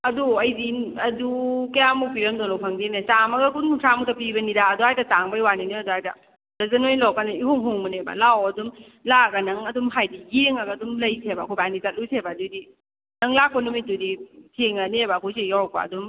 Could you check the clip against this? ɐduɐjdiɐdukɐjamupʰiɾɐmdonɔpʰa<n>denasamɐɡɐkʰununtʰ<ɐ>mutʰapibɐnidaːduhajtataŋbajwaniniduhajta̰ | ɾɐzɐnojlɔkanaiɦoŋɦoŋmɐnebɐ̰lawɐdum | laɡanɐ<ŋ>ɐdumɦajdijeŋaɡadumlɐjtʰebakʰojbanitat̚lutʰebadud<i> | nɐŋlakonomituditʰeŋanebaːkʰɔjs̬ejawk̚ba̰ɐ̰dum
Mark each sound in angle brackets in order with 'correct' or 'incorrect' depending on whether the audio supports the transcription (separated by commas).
incorrect, incorrect, correct, correct